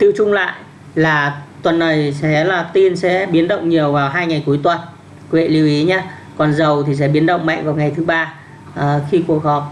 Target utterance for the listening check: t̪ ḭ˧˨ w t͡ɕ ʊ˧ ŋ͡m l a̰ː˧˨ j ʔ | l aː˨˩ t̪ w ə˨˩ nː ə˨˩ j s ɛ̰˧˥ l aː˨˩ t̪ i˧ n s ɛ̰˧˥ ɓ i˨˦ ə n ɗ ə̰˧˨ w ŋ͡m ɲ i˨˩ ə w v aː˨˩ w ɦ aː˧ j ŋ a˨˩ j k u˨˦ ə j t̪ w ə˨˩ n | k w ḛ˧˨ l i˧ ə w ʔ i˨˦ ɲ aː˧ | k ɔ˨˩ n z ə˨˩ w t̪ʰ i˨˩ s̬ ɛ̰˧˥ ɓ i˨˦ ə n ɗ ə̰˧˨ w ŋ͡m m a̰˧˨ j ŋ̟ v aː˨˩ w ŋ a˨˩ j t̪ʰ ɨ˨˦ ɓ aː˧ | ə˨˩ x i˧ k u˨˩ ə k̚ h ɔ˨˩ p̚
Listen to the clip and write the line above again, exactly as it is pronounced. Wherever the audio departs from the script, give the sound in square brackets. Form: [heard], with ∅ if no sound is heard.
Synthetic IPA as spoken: t̪ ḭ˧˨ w t͡ɕ ʊ˧ ŋ͡m l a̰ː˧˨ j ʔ | l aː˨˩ t̪ w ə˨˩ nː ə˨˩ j s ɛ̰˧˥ l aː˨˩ t̪ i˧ n s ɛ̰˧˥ ɓ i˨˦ ə n ɗ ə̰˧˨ w ŋ͡m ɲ i˨˩ ə w v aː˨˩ w ɦ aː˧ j ŋ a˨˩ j k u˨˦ ə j t̪ w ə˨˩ n | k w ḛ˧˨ l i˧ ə w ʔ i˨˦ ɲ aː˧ | k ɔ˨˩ n z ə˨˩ w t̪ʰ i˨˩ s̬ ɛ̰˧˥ ɓ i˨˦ ə n ɗ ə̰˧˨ w ŋ͡m m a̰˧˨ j ŋ̟ v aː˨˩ w ŋ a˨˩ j t̪ʰ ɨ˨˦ ɓ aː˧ | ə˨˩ x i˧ k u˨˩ ə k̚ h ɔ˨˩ p̚